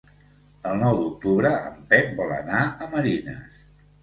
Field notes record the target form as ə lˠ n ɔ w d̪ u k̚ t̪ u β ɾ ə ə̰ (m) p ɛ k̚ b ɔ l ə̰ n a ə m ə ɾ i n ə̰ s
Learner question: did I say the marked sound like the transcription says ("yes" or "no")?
yes